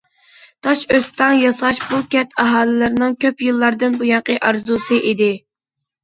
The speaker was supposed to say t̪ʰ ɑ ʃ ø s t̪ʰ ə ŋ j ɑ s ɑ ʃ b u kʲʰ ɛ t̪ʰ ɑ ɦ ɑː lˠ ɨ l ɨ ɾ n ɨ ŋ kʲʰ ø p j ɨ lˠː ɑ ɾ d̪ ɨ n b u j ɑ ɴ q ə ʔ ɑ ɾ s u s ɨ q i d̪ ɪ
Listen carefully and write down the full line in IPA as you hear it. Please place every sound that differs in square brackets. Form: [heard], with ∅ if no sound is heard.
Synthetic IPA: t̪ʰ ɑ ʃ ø s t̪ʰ [ɑ] ŋ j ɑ s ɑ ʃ b u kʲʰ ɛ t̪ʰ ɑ ɦ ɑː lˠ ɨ l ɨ ɾ n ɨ ŋ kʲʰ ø p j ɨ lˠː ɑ ɾ d̪ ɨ n b u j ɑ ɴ q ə ʔ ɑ ɾ [z] u s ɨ [ʔ] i d̪ ɪ